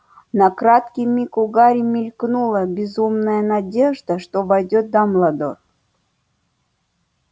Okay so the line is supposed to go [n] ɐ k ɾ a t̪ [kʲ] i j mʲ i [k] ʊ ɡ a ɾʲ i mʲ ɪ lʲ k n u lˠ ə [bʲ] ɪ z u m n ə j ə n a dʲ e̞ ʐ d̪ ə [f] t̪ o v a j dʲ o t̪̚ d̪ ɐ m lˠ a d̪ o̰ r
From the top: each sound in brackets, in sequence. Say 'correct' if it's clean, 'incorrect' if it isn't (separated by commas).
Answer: correct, correct, correct, correct, incorrect